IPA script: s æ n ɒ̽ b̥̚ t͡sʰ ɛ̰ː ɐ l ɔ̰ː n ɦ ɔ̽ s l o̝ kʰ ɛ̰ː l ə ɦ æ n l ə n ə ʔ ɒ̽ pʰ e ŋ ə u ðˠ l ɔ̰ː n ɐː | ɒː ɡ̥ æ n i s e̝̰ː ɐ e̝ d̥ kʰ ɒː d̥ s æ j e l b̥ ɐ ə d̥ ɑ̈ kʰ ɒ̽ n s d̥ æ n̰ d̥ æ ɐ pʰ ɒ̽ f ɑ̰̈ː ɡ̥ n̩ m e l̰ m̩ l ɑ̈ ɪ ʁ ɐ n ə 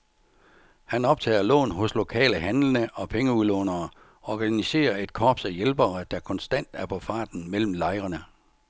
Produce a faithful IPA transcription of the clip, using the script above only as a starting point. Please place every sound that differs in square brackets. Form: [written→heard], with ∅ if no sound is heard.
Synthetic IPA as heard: [s→h] æ n ɒ̽ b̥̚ t͡sʰ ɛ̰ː ɐ l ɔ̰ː n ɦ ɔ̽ s l o̝ kʰ ɛ̰ː l ə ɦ æ n l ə n ə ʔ ɒ̽ pʰ e ŋ ə u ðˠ l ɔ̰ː n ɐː | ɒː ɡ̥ æ n i s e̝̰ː ɐ e̝ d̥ kʰ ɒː [d̥→b̥] s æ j e l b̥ ɐ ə d̥ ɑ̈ kʰ ɒ̽ n s d̥ æ n̰ d̥ æ ɐ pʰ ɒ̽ f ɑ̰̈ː [ɡ̥→d̥] n̩ m e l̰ m̩ l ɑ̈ ɪ ʁ ɐ n ə